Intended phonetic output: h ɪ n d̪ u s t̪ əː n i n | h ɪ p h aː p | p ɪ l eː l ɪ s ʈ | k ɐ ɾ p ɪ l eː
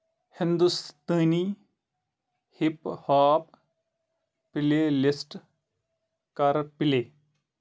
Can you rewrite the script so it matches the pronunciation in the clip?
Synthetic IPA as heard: h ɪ n d̪ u s t̪ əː n i | h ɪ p h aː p | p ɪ l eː l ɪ s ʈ | k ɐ ɾ p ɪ l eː